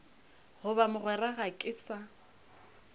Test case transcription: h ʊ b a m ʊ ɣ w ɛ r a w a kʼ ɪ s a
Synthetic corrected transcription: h ʊ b a m ʊ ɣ w ɛ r a ɣ a kʼ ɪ s a

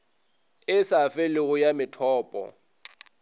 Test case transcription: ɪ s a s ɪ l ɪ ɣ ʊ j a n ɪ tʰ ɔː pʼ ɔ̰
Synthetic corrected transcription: ɪ s a f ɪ l ɪ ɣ ʊ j a m ɪ tʰ ɔː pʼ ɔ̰

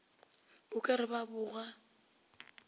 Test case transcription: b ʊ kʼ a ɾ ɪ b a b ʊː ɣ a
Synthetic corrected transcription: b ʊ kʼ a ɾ ɪ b a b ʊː ɣ a

